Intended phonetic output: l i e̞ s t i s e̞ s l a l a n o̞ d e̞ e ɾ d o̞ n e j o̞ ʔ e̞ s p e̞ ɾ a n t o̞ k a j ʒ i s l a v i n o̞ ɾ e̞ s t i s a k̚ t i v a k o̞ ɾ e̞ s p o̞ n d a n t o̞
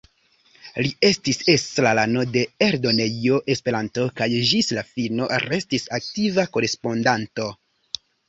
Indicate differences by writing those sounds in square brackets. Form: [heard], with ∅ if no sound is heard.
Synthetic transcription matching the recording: l i e̞ s t i s e̞ s l a l a n o̞ d e̞ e ɾ d o̞ n e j o̞ ʔ e̞ s p e̞ ɾ a n t o̞ k a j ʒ i s l a [f] i n o̞ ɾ e̞ s t i s a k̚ t i v a k o̞ ɾ e̞ s p o̞ n d a n t o̞